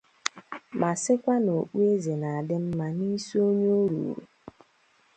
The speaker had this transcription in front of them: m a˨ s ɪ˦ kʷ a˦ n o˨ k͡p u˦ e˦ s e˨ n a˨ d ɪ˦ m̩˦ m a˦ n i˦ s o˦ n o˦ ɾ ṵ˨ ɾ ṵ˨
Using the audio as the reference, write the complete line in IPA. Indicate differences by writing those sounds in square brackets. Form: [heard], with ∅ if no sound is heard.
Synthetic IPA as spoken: m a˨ s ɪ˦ kʷ a˦ n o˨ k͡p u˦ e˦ [z] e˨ n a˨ d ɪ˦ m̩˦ m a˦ n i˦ s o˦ [ɲ] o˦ ɾ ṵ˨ ɾ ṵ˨

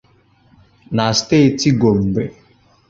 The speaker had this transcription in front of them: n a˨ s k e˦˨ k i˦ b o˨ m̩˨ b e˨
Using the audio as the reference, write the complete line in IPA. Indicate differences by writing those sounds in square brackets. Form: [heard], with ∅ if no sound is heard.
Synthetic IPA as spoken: n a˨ s [t] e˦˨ [t] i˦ [ɡ] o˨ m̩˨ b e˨

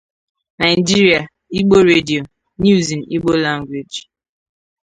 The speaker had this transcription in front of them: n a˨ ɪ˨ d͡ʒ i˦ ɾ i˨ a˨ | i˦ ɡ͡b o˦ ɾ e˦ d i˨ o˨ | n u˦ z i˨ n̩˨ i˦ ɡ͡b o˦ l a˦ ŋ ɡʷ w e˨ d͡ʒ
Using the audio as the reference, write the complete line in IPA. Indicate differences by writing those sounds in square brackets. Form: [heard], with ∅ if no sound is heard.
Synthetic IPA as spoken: n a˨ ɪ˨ d͡ʒ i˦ ɾ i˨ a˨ | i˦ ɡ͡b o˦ ɾ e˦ d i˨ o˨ | n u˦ z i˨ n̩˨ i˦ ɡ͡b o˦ l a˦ ŋ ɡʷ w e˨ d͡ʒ

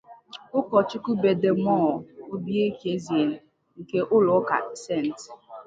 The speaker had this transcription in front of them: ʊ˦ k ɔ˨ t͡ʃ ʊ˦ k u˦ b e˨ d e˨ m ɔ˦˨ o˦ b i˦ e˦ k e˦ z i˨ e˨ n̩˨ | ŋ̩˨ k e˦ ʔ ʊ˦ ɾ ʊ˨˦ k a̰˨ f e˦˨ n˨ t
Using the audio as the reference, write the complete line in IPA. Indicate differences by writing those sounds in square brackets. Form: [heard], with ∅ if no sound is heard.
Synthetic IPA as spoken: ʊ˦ k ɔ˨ t͡ʃ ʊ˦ k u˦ b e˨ d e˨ m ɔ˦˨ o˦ b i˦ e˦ k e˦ z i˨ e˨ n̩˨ | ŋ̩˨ k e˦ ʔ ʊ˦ [l] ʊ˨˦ k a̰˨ [s] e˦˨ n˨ t

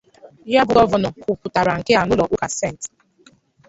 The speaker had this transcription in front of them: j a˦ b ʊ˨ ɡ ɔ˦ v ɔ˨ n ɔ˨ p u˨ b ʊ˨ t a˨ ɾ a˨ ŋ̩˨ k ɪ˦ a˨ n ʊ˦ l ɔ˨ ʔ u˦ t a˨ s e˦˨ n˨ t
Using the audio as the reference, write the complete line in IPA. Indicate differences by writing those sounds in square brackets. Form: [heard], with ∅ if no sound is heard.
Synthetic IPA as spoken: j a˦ b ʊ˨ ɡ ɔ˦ v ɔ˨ n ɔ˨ [k] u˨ [p] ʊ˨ t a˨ ɾ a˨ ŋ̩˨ k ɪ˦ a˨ n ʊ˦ l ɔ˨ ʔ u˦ [k] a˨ s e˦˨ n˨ t

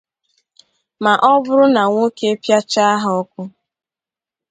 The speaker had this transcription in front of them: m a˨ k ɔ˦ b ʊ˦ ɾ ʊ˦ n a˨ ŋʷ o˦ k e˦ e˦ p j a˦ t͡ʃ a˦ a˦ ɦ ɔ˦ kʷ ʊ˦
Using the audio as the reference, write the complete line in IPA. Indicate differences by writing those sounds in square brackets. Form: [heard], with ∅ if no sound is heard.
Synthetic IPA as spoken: m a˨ [ʔ] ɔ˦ b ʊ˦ ɾ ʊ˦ n a˨ ŋʷ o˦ k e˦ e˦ p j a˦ t͡ʃ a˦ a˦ ɦ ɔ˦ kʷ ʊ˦

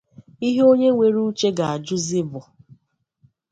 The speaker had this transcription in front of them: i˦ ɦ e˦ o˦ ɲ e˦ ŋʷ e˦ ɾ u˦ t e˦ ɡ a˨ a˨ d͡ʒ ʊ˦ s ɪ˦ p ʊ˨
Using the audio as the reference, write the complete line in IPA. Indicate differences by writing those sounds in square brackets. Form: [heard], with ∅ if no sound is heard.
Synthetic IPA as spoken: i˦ ɦ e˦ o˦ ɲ e˦ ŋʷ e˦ ɾ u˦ [t͡ʃ] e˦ ɡ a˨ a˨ d͡ʒ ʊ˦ [z] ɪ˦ [b] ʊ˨

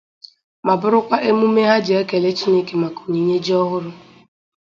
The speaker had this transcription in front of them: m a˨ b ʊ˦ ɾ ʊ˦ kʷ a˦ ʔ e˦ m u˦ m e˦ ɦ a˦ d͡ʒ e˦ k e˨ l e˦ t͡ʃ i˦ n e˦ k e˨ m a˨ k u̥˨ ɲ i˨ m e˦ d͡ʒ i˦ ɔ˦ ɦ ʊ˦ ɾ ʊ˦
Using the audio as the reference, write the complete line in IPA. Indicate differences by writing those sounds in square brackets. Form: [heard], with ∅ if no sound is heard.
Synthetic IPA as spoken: m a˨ b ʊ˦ ɾ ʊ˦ kʷ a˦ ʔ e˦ m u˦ m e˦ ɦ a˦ d͡ʒ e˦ k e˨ l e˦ t͡ʃ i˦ n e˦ k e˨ m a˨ k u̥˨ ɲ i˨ [ɲ] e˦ d͡ʒ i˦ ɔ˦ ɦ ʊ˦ ɾ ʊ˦

